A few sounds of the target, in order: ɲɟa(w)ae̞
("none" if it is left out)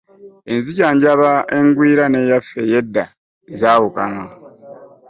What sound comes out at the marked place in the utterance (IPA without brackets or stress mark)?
β